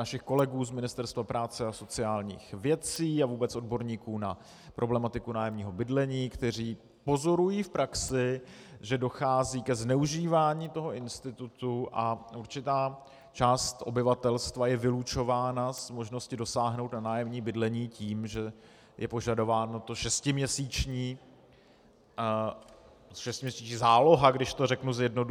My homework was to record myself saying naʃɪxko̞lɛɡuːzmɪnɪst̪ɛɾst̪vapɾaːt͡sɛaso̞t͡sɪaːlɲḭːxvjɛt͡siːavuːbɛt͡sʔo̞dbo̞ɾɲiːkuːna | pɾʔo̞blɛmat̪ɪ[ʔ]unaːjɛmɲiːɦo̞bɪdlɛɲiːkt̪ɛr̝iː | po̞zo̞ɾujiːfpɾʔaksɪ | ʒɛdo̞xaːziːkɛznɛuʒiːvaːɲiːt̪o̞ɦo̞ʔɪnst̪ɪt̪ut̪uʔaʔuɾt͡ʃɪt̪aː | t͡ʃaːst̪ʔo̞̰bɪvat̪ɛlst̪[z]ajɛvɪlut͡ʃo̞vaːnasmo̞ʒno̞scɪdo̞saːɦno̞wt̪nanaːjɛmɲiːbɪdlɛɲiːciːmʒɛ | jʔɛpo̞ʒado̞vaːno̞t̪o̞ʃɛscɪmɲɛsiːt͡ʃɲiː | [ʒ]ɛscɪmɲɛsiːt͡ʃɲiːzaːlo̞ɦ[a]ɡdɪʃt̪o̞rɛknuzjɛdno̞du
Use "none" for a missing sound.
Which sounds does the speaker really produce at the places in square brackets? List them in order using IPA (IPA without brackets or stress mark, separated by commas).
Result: k, v, ʃ, a